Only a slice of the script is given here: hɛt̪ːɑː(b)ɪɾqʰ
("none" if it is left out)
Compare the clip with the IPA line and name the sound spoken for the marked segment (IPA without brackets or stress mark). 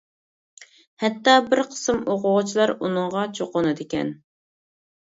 b